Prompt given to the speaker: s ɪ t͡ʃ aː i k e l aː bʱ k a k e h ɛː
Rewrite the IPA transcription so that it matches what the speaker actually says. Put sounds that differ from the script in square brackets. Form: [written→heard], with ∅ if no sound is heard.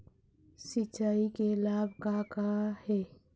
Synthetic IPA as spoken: s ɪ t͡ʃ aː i k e l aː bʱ k a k [e→a] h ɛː